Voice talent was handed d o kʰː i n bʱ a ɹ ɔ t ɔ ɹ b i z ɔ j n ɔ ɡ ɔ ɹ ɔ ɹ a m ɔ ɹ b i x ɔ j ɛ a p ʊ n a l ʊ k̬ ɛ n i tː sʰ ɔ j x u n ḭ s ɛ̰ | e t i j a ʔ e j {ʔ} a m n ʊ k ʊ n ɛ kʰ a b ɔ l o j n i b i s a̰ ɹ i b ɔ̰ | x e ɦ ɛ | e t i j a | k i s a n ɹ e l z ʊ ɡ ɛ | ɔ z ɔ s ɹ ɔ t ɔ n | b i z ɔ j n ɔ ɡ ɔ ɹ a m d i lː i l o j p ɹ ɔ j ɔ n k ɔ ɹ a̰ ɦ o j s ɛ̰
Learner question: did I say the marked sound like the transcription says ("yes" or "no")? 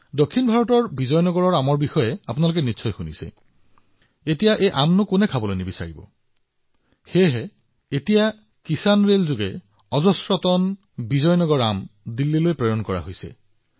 yes